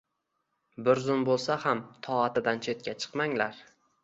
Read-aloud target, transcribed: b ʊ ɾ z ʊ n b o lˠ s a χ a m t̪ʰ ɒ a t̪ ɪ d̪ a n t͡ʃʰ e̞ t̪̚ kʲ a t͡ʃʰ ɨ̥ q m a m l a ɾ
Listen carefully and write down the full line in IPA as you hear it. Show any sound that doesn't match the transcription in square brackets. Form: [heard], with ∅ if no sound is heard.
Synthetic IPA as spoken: b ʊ ɾ z ʊ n b o lˠ s a [h] a m t̪ʰ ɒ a t̪ ɪ d̪ a n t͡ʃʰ e̞ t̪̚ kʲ a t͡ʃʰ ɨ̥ q m a [ŋ] l a ɾ